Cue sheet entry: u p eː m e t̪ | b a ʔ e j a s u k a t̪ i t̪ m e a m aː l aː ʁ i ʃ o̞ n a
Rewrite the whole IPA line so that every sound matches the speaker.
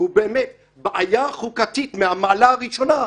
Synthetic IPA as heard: u b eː m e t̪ | b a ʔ a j a χ u k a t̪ i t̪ m e a m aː l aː ʁ i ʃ o̞ n a